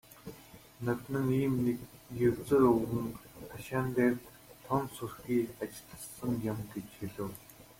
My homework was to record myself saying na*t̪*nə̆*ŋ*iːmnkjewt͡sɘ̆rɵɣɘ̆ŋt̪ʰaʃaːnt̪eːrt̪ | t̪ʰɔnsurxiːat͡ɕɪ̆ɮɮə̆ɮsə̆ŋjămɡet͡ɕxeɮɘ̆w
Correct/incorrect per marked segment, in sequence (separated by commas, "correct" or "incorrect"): correct, correct